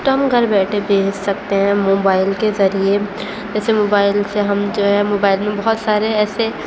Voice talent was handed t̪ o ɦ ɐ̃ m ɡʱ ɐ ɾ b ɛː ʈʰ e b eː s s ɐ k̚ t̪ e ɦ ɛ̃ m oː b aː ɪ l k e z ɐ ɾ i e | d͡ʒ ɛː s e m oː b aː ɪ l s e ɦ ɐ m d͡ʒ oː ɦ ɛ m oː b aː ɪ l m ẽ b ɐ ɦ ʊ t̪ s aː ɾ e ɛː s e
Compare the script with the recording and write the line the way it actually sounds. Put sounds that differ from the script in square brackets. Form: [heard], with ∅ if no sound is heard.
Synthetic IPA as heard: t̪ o ɦ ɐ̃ m ɡʱ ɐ ɾ b ɛː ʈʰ e b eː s s ɐ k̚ t̪ e ɦ ɛ̃ m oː b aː ɪ l k e z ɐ ɾ i e | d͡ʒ ɛː s e m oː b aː ɪ l s e ɦ ɐ m d͡ʒ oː ɦ ɛ m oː b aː ɪ l m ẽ b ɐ ɦ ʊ t̪ s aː ɾ e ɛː s e